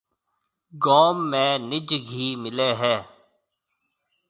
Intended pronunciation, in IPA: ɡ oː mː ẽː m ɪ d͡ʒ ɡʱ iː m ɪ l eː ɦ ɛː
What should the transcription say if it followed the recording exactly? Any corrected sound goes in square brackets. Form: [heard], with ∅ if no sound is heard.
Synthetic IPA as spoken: ɡ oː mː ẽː [n] ɪ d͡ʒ ɡʱ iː m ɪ l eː ɦ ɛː

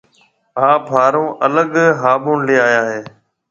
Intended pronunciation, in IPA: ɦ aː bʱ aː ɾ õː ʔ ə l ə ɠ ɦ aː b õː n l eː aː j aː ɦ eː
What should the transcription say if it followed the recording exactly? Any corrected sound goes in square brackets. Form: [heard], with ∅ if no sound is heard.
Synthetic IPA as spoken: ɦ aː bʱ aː ɾ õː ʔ ə l ə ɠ ɦ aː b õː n l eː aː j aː ɦ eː

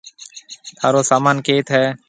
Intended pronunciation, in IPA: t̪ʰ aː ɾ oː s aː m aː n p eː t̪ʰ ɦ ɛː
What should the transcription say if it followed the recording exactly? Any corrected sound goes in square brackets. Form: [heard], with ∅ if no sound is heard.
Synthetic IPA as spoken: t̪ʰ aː ɾ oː s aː m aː n [k] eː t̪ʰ ɦ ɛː

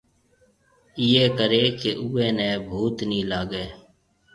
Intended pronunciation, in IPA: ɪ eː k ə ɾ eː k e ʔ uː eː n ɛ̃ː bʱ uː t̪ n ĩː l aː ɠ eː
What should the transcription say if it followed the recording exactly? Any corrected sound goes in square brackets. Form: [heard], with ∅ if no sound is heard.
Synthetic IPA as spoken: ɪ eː k ə ɾ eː k e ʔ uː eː n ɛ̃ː bʱ uː t̪ n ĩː l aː [ɡ] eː

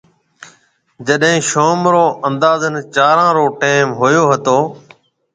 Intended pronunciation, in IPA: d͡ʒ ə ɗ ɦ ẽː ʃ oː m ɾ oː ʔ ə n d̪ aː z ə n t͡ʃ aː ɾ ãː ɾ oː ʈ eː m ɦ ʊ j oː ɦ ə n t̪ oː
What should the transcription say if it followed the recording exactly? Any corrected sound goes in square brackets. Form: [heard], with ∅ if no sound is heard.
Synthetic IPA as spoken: d͡ʒ ə ɗ ɦ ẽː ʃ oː m ɾ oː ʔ ə n d̪ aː z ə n t͡ʃ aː ɾ ãː ɾ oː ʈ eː m ɦ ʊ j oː ɦ ə [∅] t̪ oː

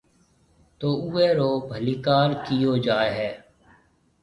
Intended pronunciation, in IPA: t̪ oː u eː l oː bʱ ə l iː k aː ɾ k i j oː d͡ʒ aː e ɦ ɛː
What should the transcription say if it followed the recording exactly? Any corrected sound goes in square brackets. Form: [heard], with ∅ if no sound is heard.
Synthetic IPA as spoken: t̪ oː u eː [ɾ] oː bʱ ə l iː k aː ɾ k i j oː d͡ʒ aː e ɦ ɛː

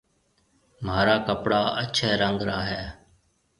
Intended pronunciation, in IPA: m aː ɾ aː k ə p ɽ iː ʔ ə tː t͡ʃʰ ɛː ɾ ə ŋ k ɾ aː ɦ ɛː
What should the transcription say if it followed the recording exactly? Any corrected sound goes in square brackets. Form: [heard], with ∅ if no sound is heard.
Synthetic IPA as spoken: m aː ɾ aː k ə p ɽ [aː] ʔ ə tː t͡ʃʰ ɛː ɾ ə ŋ [ɡ] ɾ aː ɦ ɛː

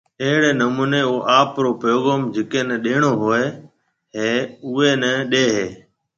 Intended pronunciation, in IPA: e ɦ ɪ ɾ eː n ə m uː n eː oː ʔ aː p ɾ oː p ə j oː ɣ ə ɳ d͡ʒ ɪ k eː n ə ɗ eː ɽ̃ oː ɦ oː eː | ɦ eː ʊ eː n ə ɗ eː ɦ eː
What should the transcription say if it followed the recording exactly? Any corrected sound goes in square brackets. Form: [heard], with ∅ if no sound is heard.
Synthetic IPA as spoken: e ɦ ɪ [ɽ] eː n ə m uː n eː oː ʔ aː p ɾ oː p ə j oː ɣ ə [m] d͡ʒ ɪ k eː n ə ɗ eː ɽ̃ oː ɦ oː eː | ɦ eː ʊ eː n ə ɗ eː ɦ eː

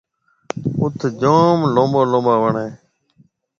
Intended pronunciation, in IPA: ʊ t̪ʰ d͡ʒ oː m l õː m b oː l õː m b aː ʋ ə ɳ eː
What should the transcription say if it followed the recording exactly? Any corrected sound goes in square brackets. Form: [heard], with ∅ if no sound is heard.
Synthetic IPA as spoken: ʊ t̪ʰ d͡ʒ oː m l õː m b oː l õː m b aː ʋ ə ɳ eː

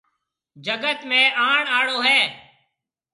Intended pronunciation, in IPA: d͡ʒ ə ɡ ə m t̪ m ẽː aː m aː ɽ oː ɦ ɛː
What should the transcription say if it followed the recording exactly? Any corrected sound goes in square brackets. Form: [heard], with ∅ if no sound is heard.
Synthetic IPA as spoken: d͡ʒ ə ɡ ə [∅] t̪ m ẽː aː [ɳ] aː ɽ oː ɦ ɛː

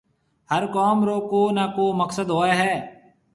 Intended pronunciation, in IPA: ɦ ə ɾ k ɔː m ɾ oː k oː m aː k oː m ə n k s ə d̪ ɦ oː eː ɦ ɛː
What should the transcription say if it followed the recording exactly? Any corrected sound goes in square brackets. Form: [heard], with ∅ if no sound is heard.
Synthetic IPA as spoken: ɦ ə ɾ k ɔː m ɾ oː k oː [n] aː k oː m ə [∅] k s ə d̪ ɦ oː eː ɦ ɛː

